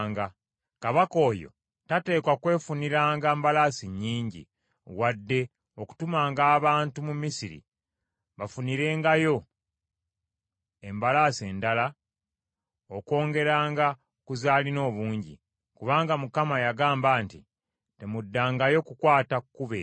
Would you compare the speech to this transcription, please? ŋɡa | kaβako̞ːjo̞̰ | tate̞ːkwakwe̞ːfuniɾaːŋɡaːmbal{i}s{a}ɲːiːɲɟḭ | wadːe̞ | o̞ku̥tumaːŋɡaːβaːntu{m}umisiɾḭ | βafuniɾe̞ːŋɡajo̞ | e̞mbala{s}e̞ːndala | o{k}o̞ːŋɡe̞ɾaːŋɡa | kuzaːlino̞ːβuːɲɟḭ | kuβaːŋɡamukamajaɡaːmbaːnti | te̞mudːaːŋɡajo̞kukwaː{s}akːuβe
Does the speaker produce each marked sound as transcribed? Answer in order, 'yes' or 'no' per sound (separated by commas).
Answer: no, no, yes, yes, yes, no